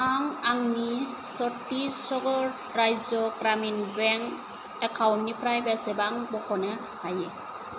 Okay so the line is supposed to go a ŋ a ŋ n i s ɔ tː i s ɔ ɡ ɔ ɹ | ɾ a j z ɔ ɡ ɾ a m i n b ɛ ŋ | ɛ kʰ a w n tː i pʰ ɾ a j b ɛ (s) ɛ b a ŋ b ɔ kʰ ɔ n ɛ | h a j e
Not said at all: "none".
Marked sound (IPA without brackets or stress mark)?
s